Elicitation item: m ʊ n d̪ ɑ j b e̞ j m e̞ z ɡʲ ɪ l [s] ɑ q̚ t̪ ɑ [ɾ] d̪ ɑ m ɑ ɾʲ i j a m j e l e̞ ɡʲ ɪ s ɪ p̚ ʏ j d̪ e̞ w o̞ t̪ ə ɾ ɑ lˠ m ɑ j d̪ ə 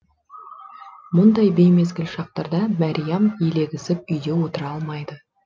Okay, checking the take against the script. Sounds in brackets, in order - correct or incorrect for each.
incorrect: ʃ, correct

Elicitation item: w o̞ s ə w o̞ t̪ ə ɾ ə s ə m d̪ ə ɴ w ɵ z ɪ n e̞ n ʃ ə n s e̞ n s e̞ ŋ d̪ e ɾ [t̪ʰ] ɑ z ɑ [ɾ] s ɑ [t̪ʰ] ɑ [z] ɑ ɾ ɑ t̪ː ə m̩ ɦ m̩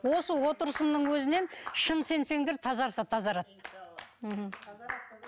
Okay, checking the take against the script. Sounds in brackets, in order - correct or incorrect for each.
correct, correct, correct, correct

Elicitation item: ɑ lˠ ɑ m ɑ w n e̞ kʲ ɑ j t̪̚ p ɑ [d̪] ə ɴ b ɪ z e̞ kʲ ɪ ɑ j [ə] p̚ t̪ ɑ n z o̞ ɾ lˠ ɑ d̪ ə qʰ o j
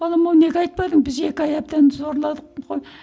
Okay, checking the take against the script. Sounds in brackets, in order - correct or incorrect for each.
correct, incorrect: ɑ

